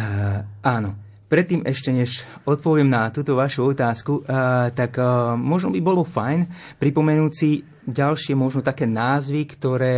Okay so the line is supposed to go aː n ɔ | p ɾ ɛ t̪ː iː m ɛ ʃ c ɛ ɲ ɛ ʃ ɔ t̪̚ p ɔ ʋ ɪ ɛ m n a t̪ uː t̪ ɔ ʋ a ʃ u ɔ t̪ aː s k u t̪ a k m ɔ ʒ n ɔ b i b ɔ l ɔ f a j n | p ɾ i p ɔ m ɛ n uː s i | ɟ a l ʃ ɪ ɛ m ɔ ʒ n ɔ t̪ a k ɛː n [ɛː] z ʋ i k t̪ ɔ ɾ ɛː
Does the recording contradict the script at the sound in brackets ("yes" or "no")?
yes